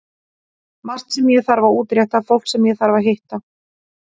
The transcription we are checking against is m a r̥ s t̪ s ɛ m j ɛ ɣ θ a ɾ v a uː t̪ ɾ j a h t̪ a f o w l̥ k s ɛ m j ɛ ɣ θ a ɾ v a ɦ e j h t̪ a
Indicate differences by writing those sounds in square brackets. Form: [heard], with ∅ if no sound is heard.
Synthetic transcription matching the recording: m a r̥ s t̪ s ɛ m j ɛ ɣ θ a ɾ v a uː t̪ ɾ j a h t̪ a f o w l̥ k s ɛ m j ɛ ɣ θ a ɾ v a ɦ e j h t̪ a